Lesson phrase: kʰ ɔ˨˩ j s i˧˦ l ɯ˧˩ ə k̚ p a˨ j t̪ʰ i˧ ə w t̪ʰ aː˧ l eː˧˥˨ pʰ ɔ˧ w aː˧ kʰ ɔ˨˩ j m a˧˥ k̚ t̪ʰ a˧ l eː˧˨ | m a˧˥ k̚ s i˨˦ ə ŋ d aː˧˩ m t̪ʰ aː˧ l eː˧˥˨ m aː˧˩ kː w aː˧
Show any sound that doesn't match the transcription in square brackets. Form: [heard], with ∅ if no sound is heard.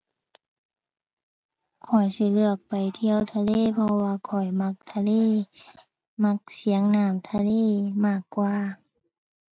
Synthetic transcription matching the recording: kʰ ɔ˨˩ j s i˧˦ l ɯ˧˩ ə k̚ p a˨ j t̪ʰ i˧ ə w t̪ʰ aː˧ l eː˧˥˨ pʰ ɔ˧ w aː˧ kʰ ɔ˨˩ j m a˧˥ k̚ t̪ʰ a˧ l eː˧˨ | m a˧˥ k̚ s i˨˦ ə ŋ [n] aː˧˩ m t̪ʰ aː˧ l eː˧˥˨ m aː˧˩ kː w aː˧

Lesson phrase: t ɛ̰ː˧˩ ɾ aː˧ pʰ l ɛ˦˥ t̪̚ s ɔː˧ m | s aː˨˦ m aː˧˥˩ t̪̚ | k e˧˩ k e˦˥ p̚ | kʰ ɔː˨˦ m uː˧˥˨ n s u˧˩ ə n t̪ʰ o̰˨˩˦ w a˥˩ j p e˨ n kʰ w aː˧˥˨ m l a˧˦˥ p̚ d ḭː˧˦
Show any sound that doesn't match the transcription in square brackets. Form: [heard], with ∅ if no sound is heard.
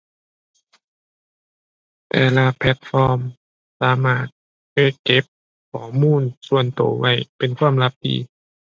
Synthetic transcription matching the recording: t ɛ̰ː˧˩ [l] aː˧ pʰ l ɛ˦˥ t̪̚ [f] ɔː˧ m | s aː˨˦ m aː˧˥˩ t̪̚ | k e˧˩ k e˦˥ p̚ | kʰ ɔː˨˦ m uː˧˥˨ n s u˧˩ ə n [t̪] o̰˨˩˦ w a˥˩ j p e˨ n kʰ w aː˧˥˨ m l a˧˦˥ p̚ d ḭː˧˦

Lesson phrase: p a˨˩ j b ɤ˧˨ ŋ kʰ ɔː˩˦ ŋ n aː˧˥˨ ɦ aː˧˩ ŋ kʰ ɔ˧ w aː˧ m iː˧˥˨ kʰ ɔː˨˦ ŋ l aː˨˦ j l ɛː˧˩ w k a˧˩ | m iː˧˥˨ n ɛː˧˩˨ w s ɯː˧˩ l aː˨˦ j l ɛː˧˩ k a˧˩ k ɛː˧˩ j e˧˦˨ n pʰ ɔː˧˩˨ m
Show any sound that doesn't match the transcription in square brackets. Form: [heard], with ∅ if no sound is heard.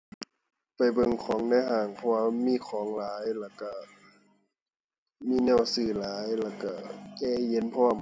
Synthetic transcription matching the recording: p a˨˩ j b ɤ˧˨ ŋ kʰ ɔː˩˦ ŋ n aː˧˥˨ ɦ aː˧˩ ŋ [pʰ] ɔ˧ w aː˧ m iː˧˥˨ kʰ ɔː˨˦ ŋ l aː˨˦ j l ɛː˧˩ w k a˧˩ | m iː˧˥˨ n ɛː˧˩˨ w s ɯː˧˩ l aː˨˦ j l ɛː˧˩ k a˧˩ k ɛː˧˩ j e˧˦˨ n pʰ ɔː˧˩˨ m

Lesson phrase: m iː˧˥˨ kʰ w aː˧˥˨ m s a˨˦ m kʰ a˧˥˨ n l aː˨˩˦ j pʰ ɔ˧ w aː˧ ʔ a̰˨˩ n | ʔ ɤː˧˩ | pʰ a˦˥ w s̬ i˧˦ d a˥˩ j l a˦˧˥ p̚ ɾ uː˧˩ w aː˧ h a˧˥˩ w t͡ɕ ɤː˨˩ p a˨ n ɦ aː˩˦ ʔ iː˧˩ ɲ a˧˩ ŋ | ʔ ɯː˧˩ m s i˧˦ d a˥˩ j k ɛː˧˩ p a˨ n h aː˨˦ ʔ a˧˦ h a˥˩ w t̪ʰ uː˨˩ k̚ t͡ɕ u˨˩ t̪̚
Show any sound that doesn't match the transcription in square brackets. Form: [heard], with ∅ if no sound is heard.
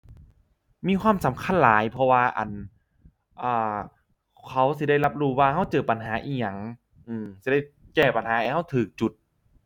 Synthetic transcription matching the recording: m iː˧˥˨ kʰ w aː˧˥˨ m s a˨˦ m kʰ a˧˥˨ n l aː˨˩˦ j pʰ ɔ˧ w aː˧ ʔ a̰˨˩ n | ʔ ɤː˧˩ | [kʰ] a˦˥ w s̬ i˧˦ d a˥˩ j l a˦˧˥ p̚ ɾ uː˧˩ w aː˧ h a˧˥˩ w t͡ɕ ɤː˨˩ p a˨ n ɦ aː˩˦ ʔ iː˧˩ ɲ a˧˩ ŋ | ʔ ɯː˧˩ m s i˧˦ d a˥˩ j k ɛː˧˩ p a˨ n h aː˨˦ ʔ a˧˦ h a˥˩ w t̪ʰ [ɯː˨˩] k̚ t͡ɕ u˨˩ t̪̚

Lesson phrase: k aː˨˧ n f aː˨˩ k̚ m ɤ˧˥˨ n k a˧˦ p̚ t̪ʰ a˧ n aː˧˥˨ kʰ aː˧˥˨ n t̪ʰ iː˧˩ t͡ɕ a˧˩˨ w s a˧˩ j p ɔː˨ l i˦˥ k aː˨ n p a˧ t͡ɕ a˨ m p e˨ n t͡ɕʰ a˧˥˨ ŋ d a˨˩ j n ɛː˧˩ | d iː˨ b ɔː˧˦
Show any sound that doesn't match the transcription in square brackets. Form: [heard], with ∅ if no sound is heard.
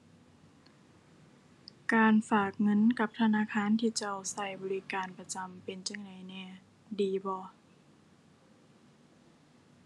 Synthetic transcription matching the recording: k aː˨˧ n f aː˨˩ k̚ [ŋ] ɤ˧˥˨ n k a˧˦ p̚ t̪ʰ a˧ n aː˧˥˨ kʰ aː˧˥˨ n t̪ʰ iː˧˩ t͡ɕ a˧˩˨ w s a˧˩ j [b] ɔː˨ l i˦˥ k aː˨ n p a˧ t͡ɕ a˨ m p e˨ n [t͡ɕ] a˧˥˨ ŋ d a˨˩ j n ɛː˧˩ | d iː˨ b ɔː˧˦

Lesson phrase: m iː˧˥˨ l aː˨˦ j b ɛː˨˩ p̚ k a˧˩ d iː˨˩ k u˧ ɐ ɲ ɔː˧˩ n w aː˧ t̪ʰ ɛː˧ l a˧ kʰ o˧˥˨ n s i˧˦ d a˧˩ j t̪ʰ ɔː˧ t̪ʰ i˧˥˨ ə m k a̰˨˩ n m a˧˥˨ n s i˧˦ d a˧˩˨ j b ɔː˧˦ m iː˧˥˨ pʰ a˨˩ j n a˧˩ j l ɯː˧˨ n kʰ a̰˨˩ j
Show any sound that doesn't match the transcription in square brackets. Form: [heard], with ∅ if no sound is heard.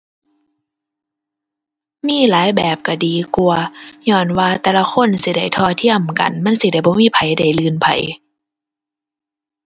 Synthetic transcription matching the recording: m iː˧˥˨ l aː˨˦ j b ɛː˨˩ p̚ k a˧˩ d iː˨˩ k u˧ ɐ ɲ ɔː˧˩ n w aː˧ [t̪] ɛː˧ l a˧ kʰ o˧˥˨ n s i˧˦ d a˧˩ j t̪ʰ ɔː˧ t̪ʰ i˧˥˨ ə m k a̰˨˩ n m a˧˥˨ n s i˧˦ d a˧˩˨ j b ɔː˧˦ m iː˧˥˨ pʰ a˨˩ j [d] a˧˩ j l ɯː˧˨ n [pʰ] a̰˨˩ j

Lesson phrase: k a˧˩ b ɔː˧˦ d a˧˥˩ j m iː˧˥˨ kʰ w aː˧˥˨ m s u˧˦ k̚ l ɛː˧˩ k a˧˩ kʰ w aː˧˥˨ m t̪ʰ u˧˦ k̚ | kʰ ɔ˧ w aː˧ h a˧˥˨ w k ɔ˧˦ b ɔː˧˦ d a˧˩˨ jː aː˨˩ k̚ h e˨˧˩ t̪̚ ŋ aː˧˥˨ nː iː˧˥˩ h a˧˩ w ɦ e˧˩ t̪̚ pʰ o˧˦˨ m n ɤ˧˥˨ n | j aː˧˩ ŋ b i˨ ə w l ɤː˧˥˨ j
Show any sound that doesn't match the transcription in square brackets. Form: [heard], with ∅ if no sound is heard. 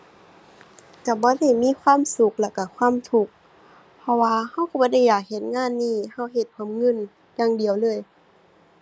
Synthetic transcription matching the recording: k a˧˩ b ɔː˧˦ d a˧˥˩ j m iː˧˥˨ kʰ w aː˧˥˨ m s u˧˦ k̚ l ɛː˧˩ k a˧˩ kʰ w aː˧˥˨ m t̪ʰ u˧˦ k̚ | [pʰ] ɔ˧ w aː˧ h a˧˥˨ w k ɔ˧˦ b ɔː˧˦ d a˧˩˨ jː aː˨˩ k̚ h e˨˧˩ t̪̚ ŋ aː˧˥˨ nː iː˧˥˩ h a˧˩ w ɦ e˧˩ t̪̚ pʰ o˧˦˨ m [ŋ] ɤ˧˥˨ n | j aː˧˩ ŋ [d] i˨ ə w l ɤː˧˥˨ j

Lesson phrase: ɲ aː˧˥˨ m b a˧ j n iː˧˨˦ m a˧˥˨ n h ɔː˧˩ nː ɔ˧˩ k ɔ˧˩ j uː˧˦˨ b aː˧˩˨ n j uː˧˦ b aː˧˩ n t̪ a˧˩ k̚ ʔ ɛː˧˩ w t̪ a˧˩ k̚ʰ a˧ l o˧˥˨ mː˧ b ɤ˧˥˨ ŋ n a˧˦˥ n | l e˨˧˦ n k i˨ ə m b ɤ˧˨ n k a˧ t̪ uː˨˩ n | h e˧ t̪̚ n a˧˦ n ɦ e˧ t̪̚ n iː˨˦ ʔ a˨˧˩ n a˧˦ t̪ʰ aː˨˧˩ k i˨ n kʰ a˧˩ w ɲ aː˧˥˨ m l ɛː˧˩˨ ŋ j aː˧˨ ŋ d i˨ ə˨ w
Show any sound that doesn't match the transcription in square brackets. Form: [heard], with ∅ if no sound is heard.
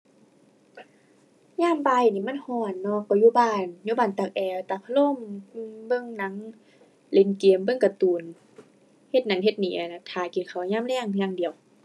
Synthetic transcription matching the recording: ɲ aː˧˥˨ m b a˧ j n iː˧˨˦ m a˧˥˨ n h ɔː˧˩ nː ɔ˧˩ k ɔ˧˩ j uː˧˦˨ b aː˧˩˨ n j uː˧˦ b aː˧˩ n t̪ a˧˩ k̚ ʔ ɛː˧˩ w t̪ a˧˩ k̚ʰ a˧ l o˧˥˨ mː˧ b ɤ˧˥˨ ŋ n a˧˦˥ [ŋ] | l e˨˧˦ n k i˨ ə m b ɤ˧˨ [ŋ] k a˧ t̪ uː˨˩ n | h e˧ t̪̚ n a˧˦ n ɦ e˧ t̪̚ n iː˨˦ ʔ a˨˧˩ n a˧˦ t̪ʰ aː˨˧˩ k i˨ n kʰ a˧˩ w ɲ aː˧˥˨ m l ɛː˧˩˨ ŋ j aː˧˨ ŋ d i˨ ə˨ w

